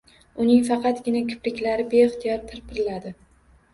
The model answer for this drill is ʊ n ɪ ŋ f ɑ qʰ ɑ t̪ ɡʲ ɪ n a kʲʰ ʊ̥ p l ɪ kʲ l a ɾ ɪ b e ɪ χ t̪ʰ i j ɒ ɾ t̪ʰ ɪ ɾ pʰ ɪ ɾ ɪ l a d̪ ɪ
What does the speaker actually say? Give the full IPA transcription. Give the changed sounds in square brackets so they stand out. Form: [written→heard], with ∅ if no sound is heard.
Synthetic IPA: ʊ n ɪ ŋ f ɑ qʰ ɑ t̪ ɡʲ ɪ n a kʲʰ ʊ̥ p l ɪ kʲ l a ɾ ɪ b e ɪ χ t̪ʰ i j ɒ ɾ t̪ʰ ɪ ɾ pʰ ɪ ɾ ɪ l a d̪ ɪ